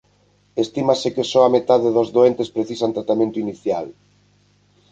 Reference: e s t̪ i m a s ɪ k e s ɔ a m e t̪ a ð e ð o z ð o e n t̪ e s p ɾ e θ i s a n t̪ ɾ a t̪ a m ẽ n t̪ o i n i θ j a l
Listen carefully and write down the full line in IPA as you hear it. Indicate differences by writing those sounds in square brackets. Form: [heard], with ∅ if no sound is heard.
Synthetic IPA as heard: e s t̪ i m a s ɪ k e s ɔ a m e t̪ a ð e ð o z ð o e n t̪ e s p ɾ e θ i s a n t̪ ɾ a t̪ a m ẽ n t̪ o i n i θ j a l